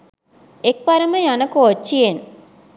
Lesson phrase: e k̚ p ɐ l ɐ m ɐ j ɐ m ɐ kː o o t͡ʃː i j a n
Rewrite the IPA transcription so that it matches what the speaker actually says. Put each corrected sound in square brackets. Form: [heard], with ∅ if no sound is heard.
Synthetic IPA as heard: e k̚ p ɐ [ɾ] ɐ m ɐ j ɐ [n] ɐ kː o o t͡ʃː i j [e] n